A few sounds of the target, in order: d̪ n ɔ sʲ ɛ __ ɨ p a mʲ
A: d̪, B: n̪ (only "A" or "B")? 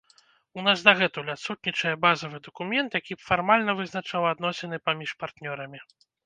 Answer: B